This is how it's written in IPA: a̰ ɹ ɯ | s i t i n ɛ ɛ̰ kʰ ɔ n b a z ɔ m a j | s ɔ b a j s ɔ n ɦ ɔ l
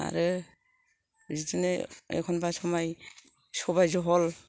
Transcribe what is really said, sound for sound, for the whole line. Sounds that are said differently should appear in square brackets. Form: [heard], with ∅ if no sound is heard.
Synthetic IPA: a̰ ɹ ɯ | [z] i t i n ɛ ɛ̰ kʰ ɔ n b a [s] ɔ m a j | s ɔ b a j [z] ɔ [∅] ɦ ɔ l